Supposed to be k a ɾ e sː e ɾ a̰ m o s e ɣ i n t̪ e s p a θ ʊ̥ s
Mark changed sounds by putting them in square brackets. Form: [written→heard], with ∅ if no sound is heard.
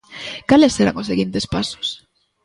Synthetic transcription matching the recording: k a [ɾ→l] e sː e ɾ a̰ [m→ŋ] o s e ɣ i n t̪ e s p a [θ→s] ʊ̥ s

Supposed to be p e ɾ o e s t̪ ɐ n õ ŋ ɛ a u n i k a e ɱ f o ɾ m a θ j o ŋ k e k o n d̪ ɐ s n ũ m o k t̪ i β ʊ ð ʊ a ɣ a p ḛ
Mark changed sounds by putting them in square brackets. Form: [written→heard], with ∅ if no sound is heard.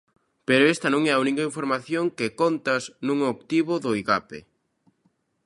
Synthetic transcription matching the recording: p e ɾ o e s t̪ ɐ n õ ŋ ɛ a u n i k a [e→i] ɱ f o ɾ m a θ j o ŋ k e k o n [d̪→t̪] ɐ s n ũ [m→ŋ] o k t̪ i β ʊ ð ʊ [a→i] ɣ a p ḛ

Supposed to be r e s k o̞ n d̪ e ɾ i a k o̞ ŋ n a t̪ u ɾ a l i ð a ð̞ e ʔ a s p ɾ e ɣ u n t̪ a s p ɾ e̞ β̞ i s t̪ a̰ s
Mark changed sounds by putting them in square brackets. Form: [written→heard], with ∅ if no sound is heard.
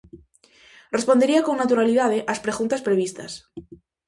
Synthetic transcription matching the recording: r e s [k→p] o̞ n d̪ e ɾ i a k o̞ ŋ n a t̪ u ɾ a l i ð a ð̞ e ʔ a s p ɾ e ɣ u n t̪ a s p ɾ e̞ β̞ i s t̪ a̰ s

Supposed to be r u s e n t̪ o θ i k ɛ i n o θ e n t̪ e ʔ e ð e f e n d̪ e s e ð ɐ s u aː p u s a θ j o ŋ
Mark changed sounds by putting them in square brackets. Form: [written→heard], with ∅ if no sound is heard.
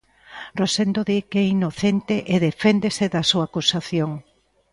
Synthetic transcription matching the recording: r [u→o] s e n [t̪→d̪] o [θ→ð] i k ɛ i n o θ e n t̪ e ʔ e ð e f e n d̪ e s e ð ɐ s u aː [p→k] u s a θ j o ŋ

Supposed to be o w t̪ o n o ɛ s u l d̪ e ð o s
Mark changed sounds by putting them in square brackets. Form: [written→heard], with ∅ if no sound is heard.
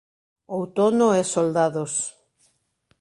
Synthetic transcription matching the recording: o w t̪ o n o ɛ s [u→o] l d̪ [e→a] ð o s

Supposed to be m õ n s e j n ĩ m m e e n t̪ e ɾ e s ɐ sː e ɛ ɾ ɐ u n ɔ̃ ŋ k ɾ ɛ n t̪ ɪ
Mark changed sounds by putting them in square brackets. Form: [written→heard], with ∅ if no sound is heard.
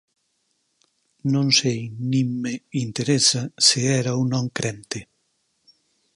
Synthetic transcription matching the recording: [m→n] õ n s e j n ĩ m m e [e→i] n t̪ e ɾ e s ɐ [sː→s] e ɛ ɾ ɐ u n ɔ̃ ŋ k ɾ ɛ n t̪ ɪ

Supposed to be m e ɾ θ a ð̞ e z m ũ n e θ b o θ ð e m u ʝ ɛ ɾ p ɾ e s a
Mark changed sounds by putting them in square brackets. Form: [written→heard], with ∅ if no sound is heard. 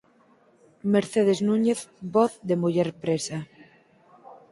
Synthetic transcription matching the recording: m e ɾ θ [a→e] ð̞ e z [m→n] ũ [n→ɲ] e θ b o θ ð e m u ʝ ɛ ɾ p ɾ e s a

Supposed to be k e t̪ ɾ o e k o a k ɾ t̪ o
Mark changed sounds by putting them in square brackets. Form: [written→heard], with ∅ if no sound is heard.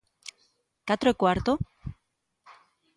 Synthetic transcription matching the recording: k [e→a] t̪ ɾ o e k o a [k→∅] ɾ t̪ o

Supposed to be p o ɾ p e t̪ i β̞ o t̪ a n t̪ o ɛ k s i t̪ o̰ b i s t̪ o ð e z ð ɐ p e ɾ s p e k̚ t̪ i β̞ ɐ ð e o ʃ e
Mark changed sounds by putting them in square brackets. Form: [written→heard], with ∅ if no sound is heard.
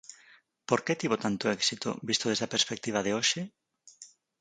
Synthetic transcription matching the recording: p o ɾ [p→k] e t̪ i β̞ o t̪ a n t̪ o ɛ k s i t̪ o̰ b i s t̪ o ð e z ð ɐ p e ɾ s p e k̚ t̪ i β̞ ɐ ð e o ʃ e

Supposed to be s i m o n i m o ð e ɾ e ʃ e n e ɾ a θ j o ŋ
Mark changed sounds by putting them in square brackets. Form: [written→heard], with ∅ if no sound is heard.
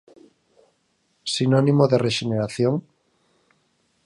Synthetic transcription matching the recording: s i [m→n] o n i m o ð e [ɾ→r] e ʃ e n e ɾ a θ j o ŋ

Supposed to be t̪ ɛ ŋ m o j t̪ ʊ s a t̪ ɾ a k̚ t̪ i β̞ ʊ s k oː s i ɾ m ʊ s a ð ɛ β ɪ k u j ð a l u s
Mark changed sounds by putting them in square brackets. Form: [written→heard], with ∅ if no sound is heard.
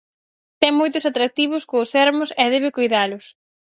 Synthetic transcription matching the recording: t̪ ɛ ŋ m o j t̪ ʊ s a t̪ ɾ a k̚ t̪ i β̞ ʊ s k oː s [i→ɛ] ɾ m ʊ s [a→ɛ] ð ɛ β ɪ k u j ð a l [u→ʊ] s

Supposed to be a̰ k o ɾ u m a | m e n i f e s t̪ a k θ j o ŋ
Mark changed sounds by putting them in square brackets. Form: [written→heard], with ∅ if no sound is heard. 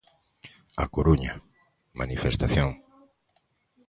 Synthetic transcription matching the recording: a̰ k o ɾ u [m→ɲ] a | m [e→a] n i f e s t̪ a [k→∅] θ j o ŋ

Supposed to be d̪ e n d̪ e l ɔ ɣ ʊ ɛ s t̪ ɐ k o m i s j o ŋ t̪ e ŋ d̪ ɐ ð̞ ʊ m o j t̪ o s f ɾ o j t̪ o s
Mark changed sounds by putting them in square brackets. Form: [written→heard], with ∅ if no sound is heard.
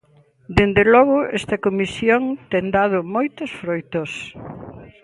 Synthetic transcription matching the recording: d̪ e n d̪ e l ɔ ɣ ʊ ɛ s t̪ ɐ k o m i s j o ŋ t̪ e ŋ d̪ [ɐ→a] ð̞ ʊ m o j t̪ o s f ɾ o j t̪ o s

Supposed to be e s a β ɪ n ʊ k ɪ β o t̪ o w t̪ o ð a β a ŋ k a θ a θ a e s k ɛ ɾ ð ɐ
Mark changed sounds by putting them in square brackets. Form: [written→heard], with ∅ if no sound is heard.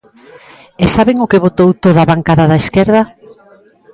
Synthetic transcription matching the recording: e s a β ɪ [n→ŋ] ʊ k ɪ β o t̪ o w t̪ o ð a β a ŋ k a [θ→ð] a [θ→ð] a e s k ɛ ɾ ð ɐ

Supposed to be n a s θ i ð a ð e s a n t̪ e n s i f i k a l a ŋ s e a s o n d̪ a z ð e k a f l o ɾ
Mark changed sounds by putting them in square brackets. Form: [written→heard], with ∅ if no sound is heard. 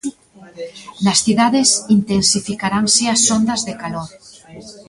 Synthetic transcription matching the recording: n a s θ i ð a ð e s [a→i] n t̪ e n s i f i k a [l→ɾ] a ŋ s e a s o n d̪ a z ð e k a [f→∅] l o ɾ

